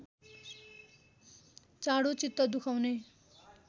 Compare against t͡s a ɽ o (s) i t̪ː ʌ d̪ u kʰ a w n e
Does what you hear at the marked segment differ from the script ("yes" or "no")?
yes